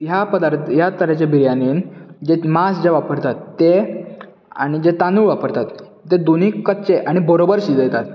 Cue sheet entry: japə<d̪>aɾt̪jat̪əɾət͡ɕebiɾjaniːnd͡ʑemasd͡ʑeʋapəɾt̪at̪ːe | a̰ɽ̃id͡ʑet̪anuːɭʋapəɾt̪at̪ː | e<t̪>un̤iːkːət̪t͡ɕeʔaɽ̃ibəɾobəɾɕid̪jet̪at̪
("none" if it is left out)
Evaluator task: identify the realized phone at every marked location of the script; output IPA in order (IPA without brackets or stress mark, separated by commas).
d̪, d̪